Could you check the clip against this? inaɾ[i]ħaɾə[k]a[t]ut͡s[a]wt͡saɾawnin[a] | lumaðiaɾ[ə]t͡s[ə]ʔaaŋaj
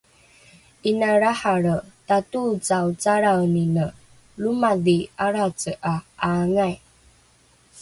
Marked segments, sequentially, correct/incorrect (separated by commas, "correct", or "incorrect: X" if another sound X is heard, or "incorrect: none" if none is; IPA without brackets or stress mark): incorrect: a, incorrect: t, correct, correct, incorrect: ə, incorrect: a, correct